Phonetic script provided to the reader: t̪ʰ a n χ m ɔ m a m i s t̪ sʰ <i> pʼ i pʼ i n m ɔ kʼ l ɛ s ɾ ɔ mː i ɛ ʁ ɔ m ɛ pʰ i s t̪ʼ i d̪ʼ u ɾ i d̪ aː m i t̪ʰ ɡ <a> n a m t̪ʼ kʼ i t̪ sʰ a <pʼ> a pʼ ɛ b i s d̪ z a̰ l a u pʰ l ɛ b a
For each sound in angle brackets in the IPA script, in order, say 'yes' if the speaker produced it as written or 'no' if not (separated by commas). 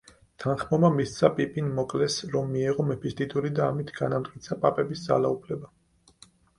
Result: no, yes, yes